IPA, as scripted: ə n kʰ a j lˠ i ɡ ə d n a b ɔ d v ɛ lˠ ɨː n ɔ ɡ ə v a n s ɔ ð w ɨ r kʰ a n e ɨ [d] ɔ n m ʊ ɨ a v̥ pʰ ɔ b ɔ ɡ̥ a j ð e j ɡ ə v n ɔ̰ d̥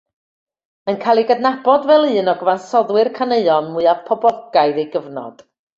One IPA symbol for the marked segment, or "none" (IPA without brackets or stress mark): none